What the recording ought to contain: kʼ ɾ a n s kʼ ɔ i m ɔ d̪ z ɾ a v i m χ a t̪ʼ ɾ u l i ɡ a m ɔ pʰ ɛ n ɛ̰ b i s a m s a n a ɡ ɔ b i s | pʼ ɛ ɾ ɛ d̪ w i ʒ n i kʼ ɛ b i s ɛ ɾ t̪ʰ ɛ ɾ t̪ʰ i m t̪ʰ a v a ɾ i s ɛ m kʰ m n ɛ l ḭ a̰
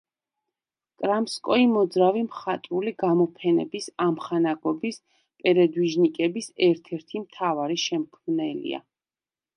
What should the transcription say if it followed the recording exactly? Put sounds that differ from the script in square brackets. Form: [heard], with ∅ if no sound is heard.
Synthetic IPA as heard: kʼ ɾ a [m] s kʼ ɔ i m ɔ d̪ z ɾ a v i m χ a t̪ʼ ɾ u l i ɡ a m ɔ pʰ ɛ n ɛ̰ b i s a m [χ] a n a ɡ ɔ b i s | pʼ ɛ ɾ ɛ d̪ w i ʒ n i kʼ ɛ b i s ɛ ɾ t̪ʰ ɛ ɾ t̪ʰ i m t̪ʰ a v a ɾ i [ʃ] ɛ m kʰ m n ɛ l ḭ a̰